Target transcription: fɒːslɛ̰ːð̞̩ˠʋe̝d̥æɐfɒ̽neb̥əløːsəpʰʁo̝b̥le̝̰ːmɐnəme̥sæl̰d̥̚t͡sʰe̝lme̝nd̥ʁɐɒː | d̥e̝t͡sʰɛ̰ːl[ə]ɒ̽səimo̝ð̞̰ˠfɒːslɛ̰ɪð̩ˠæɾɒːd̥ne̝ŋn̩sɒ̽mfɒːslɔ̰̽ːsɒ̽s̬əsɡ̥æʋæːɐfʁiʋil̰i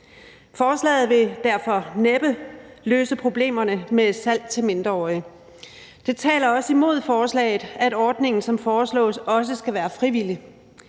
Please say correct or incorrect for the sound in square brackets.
incorrect